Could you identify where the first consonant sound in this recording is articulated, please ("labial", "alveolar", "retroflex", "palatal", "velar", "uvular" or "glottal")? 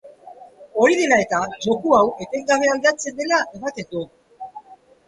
alveolar